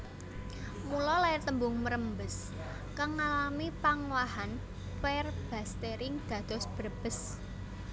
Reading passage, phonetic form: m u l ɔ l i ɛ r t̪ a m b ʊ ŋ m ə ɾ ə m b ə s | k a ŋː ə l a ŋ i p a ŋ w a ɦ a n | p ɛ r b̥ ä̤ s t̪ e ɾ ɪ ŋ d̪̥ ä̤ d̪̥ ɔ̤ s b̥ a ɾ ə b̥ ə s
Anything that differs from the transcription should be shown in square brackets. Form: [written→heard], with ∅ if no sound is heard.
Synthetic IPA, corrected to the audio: m u l ɔ l [i→a] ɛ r t̪ [a→ə] m b ʊ ŋ m ə ɾ ə m b ə s | k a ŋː [ə→a] l a [ŋ→m] i p a ŋ w a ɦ a n | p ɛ r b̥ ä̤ s t̪ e ɾ ɪ ŋ d̪̥ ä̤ d̪̥ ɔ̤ s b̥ [a→ə] ɾ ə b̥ ə s

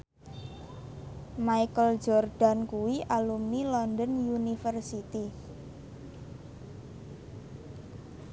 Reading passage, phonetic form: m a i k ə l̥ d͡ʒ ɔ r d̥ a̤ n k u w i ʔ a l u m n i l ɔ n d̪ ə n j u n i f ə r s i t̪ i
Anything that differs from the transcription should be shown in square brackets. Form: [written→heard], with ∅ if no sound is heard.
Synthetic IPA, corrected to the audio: m a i k ə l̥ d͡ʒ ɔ r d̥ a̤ n k u w i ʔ a l u m n i l ɔ n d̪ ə n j u n i f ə r s i t̪ i

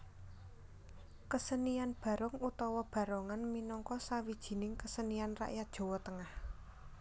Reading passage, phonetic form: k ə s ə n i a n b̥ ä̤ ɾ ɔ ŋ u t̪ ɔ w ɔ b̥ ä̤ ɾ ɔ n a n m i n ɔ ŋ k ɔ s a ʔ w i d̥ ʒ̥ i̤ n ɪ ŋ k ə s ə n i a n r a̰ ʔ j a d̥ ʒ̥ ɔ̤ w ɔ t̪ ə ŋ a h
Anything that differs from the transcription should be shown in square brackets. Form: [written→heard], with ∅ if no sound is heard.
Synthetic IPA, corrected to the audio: k ə s ə n i a n b̥ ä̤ ɾ ɔ ŋ u t̪ ɔ w ɔ b̥ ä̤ ɾ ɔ [n→ŋ] a n m i n ɔ ŋ k ɔ s a [ʔ→∅] w i d̥ ʒ̥ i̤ n ɪ ŋ k ə s ə n i a n r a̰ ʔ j a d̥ ʒ̥ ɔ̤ w ɔ t̪ ə ŋ a h

